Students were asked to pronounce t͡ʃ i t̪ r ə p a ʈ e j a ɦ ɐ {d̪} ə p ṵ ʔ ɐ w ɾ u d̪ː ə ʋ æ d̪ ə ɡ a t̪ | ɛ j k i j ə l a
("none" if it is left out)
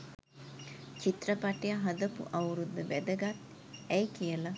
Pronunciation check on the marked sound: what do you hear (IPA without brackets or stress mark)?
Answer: d̪